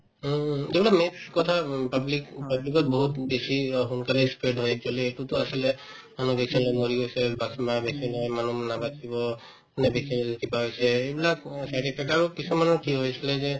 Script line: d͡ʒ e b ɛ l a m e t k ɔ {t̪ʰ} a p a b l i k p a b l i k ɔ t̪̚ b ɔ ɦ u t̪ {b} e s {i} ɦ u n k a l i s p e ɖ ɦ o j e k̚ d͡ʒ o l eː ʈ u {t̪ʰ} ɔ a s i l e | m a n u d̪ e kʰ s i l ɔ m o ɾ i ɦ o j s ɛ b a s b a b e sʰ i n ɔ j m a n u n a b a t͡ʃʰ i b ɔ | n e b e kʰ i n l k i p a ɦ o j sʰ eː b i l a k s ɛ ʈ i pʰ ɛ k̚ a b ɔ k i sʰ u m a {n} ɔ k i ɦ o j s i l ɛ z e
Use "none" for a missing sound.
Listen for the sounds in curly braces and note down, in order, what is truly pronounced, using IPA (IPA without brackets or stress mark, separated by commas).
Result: t̪ʰ, b, i, t̪, n